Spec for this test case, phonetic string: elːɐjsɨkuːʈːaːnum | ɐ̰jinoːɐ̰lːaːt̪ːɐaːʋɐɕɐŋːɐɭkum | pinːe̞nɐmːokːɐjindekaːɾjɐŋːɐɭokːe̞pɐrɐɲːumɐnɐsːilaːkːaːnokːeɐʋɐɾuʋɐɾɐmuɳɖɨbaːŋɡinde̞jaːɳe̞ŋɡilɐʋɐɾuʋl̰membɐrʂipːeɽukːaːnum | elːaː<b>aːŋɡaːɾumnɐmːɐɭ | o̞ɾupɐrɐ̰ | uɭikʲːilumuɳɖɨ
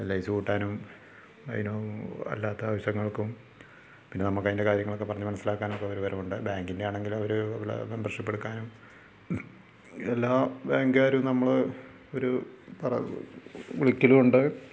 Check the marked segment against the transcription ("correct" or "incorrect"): correct